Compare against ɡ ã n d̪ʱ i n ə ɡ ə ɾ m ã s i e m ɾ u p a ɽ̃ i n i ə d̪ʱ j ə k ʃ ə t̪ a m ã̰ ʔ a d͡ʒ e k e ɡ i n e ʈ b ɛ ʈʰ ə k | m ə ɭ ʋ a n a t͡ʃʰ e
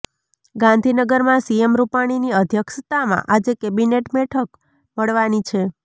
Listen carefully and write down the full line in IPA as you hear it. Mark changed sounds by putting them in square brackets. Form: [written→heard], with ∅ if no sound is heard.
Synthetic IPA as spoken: ɡ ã n d̪ʱ i n ə ɡ ə ɾ m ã s i e m ɾ u p a ɽ̃ i n i ə d̪ʱ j ə k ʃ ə t̪ a m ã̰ ʔ a d͡ʒ e k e [ɡ→b] i n e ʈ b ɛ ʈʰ ə k | m ə ɭ ʋ a n [a→i] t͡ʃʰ e